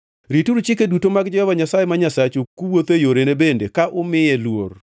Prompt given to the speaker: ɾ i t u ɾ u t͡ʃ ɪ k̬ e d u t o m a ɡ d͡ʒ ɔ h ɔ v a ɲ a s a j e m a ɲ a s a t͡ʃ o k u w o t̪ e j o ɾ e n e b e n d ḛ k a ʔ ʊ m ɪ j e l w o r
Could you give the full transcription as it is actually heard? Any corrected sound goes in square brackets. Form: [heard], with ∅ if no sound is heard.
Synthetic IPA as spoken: ɾ i t u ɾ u t͡ʃ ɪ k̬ e d u t o m a ɡ d͡ʒ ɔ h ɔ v a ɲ a s a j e m a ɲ a s a t͡ʃ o k u w o t̪ e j o ɾ e n e b e n d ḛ k a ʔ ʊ m ɪ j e l w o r